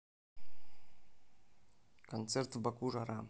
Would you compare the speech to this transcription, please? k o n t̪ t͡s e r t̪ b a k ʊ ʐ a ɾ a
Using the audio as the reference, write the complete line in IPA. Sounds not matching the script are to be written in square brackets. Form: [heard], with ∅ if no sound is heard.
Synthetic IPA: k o n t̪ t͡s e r t̪ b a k [u] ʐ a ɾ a